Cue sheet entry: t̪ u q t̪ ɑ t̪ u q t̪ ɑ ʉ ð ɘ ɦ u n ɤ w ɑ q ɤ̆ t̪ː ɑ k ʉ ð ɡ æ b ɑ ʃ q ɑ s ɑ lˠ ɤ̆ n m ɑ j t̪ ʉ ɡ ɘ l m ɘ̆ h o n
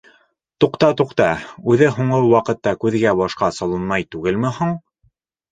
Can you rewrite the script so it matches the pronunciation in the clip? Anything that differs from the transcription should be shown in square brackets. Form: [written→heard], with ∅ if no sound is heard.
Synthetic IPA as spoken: t̪ u q t̪ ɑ t̪ u q t̪ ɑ ʉ ð ɘ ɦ u [n→ɴ] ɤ w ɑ q ɤ̆ t̪ː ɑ k ʉ ð ɡ æ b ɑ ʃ q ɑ s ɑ lˠ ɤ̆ n m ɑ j t̪ ʉ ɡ ɘ l m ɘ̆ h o [n→ɴ]